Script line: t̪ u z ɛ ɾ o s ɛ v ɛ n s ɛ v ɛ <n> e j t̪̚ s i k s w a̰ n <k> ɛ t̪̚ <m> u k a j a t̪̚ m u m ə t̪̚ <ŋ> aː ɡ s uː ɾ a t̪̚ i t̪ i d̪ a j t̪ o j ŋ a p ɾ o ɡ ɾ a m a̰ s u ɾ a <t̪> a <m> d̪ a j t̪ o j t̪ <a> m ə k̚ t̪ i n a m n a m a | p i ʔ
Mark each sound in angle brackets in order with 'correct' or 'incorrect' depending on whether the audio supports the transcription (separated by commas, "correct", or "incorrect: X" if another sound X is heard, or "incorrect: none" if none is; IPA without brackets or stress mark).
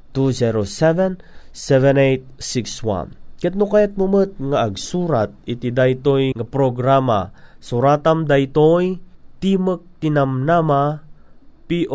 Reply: correct, correct, incorrect: n, correct, correct, correct, incorrect: i